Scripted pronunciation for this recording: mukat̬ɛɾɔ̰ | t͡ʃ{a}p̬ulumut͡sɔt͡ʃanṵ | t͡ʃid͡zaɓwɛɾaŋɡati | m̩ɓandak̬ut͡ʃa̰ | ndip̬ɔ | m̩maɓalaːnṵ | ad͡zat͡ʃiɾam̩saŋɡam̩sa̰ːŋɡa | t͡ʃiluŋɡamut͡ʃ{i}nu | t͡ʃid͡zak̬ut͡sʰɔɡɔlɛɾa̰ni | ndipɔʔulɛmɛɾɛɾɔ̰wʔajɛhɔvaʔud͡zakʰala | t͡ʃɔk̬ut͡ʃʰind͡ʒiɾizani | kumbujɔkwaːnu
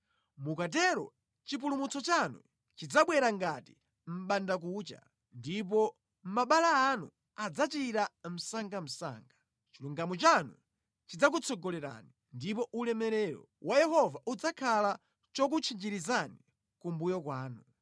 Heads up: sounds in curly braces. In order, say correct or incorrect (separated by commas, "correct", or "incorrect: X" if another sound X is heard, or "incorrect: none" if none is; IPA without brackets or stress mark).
incorrect: i, incorrect: a